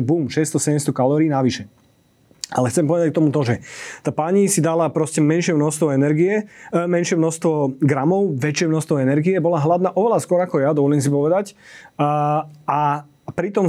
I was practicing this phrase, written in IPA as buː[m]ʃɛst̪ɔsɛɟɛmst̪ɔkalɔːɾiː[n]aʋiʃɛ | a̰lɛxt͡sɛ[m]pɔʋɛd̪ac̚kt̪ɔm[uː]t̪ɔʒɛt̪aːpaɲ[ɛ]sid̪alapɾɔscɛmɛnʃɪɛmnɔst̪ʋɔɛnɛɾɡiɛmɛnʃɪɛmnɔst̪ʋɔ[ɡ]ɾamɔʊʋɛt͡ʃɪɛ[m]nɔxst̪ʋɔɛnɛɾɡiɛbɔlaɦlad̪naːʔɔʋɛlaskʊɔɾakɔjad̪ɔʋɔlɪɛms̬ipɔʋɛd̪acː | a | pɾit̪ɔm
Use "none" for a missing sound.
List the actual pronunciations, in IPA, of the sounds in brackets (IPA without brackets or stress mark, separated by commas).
m, n, m, u, i, ɡ, m